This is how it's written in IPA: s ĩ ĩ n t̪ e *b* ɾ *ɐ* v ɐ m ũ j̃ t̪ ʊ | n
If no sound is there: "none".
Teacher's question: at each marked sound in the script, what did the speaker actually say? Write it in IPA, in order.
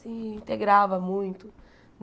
ɡ, a

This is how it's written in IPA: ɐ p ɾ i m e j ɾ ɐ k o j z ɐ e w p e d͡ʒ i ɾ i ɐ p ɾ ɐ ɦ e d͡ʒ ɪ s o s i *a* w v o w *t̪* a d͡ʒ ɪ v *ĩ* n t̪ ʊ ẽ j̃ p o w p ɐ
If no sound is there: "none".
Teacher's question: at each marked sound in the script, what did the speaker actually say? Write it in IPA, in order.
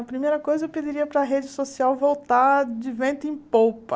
a, t̪, ẽ

